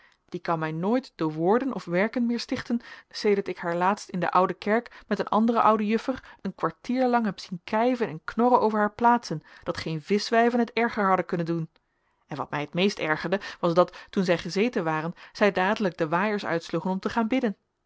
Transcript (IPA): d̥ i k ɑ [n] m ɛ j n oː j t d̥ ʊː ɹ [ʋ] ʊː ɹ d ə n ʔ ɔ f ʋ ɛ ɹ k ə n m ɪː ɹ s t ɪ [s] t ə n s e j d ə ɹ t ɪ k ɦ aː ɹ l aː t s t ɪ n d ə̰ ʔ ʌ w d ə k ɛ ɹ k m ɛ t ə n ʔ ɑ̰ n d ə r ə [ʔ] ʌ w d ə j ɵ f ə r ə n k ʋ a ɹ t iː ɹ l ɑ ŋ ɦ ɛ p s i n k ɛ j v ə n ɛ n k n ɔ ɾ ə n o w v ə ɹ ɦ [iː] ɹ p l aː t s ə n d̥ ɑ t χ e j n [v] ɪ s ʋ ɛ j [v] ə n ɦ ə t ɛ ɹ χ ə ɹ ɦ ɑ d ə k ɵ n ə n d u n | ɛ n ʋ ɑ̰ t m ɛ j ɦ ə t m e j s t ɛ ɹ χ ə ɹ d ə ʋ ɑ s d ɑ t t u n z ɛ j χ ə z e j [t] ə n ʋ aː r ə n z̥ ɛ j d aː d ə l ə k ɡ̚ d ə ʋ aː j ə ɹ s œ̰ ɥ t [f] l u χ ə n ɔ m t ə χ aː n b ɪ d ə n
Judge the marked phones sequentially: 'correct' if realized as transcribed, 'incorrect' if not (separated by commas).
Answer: correct, correct, incorrect, correct, incorrect, correct, correct, correct, incorrect